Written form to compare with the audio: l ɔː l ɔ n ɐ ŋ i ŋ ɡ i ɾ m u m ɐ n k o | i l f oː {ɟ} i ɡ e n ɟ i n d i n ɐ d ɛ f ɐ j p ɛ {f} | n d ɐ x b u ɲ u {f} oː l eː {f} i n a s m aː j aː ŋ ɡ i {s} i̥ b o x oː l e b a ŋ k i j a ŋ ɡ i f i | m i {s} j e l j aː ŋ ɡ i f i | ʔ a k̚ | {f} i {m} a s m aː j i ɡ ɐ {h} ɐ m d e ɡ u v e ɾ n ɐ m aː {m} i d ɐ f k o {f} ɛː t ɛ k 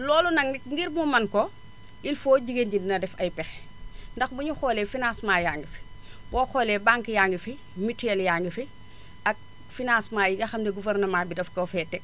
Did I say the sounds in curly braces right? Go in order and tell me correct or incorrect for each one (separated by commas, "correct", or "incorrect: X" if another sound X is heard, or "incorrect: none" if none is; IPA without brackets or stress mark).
correct, incorrect: x, incorrect: x, correct, incorrect: f, incorrect: t, correct, incorrect: n, incorrect: x, incorrect: b, correct